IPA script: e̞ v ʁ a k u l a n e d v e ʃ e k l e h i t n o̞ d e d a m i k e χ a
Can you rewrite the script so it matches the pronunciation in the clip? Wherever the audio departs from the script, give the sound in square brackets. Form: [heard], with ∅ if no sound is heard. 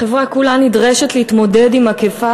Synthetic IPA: e̞ v ʁ a k u l a n [i] d [ʁ] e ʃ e [t] l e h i t [m] o̞ d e d [i] m [a] k e [f] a